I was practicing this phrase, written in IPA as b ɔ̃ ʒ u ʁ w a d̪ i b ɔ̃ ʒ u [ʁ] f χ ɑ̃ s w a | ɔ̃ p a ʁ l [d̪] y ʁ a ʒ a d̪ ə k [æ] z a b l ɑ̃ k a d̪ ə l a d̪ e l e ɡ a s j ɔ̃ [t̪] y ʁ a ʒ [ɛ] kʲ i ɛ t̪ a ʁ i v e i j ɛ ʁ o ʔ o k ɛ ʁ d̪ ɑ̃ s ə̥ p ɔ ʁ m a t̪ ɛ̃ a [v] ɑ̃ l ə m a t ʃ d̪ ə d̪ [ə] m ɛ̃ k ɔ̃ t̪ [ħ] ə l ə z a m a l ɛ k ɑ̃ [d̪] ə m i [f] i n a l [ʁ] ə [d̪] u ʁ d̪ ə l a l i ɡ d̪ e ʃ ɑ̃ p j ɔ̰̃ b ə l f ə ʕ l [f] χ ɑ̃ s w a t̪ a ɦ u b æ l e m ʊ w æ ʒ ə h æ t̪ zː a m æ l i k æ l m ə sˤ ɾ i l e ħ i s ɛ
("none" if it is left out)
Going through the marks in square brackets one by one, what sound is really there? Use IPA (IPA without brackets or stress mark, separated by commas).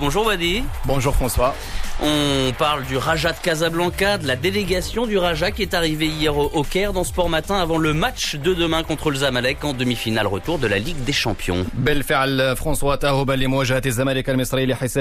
ʁ, d̪, a, d̪, a, v, ə, χ, d̪, f, ʁ, t̪, f